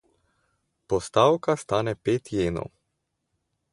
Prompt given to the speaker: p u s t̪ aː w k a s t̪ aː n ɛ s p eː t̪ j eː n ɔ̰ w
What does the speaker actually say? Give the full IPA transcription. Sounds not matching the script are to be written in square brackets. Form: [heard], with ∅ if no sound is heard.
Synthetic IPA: p [ɔ] s t̪ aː w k a s t̪ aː n ɛ [∅] p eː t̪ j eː n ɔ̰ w